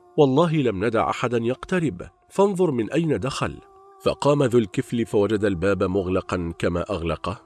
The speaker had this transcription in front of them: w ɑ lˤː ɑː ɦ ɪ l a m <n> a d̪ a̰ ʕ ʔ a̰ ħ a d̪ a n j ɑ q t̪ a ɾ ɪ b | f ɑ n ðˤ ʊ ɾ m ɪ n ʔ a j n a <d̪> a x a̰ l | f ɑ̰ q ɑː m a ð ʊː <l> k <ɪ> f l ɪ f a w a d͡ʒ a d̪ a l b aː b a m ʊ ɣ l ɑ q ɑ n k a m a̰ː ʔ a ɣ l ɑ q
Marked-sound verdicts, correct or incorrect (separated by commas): correct, correct, correct, correct